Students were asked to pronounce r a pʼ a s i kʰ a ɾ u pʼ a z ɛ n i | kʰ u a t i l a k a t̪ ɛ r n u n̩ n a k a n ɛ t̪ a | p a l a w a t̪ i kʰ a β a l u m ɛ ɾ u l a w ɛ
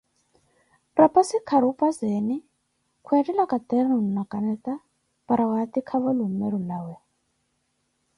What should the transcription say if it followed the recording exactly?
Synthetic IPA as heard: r a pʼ a s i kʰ a ɾ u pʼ a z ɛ n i | kʰ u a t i l a k a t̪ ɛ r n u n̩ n a k a n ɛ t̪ a | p a ɾ a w a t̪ i kʰ a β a l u m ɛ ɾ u l a w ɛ